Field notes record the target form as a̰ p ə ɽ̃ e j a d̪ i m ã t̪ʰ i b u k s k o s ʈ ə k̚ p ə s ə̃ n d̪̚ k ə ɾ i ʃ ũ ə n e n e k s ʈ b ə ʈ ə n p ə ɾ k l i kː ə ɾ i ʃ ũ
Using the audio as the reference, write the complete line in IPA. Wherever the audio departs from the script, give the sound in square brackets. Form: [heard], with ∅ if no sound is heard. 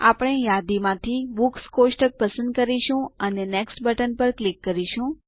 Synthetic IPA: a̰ p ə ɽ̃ e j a d̪ i m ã t̪ʰ i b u k s k o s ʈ ə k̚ p ə s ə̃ n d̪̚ k ə ɾ i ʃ ũ ə n e n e k s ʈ b ə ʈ ə n p ə ɾ k l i kː ə ɾ i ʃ ũ